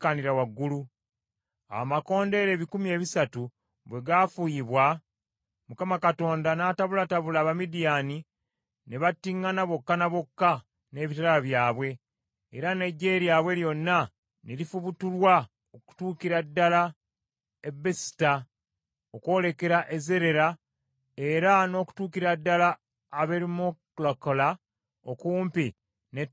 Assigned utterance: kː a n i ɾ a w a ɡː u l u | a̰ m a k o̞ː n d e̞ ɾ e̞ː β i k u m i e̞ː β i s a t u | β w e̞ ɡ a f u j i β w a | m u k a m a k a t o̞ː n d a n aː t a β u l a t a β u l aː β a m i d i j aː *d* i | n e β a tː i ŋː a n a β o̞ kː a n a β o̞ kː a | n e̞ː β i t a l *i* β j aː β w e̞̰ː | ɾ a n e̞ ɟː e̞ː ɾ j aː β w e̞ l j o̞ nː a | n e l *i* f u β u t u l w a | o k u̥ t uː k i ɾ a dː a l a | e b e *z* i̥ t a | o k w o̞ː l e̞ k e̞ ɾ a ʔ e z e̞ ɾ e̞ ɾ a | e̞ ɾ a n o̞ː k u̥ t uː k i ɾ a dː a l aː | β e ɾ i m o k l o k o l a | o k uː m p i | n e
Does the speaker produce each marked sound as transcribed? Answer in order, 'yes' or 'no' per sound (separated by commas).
no, no, yes, no